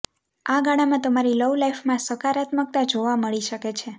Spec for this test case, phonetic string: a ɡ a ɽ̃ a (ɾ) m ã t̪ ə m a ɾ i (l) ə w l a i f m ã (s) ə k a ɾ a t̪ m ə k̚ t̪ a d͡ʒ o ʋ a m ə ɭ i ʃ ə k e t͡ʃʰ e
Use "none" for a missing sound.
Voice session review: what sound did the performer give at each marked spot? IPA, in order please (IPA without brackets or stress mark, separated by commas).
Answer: none, l, s